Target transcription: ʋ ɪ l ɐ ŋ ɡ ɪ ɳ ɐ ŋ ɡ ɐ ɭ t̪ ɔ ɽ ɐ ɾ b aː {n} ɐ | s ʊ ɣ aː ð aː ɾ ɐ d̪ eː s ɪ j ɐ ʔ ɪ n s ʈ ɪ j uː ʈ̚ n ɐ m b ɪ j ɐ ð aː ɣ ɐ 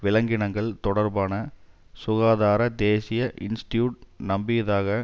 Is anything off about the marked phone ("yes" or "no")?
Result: no